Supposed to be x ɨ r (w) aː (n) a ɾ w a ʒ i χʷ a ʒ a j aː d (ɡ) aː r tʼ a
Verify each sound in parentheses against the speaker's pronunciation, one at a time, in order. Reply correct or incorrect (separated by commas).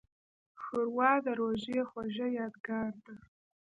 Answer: correct, incorrect, correct